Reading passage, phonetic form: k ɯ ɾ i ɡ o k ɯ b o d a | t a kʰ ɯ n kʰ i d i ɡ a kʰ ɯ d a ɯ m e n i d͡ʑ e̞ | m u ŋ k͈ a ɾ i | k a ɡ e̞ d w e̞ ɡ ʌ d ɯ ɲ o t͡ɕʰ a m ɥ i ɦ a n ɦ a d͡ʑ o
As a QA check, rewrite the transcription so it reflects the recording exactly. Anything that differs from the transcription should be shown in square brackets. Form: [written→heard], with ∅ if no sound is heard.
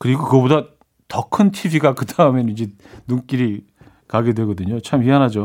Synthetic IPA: k ɯ ɾ i ɡ o k ɯ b o d a | t [a→ʌ] kʰ ɯ n [kʰ→tʰ] i [d→b] i ɡ a [kʰ→k] ɯ d a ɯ m e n i d͡ʑ e̞ | [m→n] u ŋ k͈ [a→i] ɾ i | k a ɡ e̞ d w e̞ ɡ ʌ d ɯ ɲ o t͡ɕʰ a m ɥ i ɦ a n ɦ a d͡ʑ o